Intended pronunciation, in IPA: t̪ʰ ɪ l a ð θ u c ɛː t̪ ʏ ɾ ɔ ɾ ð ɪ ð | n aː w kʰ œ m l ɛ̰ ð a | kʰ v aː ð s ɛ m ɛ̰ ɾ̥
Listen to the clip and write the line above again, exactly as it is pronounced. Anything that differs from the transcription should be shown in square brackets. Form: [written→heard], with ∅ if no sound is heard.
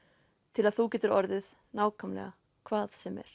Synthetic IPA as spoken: t̪ʰ ɪ l a ð θ u c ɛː t̪ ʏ ɾ ɔ ɾ ð ɪ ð | n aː w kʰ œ m l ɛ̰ [ð→ɣ] a | kʰ v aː ð s ɛ m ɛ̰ ɾ̥